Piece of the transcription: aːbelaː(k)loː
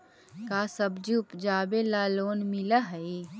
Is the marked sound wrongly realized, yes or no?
yes